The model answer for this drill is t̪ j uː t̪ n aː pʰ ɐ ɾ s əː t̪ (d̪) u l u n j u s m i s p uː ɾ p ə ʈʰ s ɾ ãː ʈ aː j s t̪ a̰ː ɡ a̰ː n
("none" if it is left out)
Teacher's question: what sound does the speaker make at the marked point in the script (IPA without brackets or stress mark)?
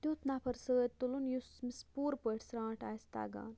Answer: t̪